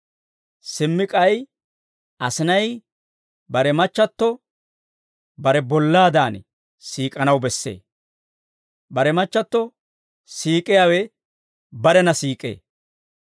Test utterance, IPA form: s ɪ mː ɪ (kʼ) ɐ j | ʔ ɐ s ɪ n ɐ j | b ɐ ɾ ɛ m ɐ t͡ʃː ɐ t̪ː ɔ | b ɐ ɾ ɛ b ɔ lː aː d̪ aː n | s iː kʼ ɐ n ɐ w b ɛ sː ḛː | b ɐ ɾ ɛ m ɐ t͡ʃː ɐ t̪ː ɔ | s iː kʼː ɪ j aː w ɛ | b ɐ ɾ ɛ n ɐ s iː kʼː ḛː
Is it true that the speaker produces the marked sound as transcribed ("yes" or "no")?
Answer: yes